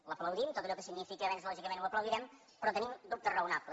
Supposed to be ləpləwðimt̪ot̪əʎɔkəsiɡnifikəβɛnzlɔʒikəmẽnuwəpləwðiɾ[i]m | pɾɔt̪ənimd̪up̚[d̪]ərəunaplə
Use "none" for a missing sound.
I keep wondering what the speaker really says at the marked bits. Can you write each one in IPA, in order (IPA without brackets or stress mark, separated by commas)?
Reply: ɛ, t̪